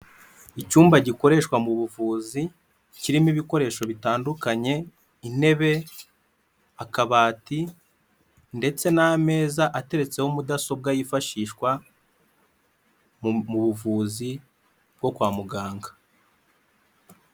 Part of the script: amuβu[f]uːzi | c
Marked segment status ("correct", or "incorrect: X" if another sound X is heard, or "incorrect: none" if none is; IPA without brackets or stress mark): incorrect: v